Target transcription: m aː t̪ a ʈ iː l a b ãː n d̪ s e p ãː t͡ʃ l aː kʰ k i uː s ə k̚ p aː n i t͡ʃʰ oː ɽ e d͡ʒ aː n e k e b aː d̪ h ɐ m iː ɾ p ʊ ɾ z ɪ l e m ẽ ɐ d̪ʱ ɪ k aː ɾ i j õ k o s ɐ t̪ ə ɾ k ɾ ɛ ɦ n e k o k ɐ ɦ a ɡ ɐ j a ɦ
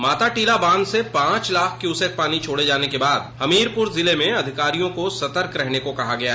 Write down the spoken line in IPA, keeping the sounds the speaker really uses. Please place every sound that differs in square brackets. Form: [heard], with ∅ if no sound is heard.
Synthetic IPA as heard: m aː t̪ a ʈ iː l a b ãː n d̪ s e p ãː t͡ʃ l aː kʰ k [j] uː s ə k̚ p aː n i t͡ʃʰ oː ɽ e d͡ʒ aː n e k e b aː d̪ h ɐ m iː ɾ p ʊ ɾ z ɪ l e m ẽ ɐ d̪ʱ ɪ k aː ɾ i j õ k o s ɐ t̪ ə ɾ k ɾ ɛ ɦ n e k o k ɐ ɦ a ɡ ɐ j a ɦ